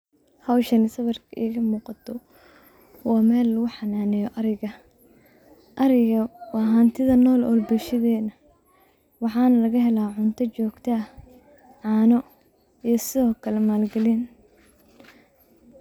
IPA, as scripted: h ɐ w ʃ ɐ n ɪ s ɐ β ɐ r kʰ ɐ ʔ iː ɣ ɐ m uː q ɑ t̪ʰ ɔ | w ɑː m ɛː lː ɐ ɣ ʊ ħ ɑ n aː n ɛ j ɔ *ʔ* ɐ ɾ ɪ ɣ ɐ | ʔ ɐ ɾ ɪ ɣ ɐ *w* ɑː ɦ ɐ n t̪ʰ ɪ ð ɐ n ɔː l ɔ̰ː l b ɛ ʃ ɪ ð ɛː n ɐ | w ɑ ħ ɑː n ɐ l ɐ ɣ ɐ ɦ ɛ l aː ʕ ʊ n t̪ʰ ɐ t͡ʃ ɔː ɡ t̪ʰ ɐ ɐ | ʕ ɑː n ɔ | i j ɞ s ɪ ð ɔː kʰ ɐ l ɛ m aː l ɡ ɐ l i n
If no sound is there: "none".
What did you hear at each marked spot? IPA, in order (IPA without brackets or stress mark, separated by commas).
ʔ, w